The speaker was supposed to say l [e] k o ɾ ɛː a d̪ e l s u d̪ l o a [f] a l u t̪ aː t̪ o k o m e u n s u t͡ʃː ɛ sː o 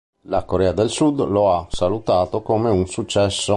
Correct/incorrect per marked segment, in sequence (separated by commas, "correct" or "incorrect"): incorrect, incorrect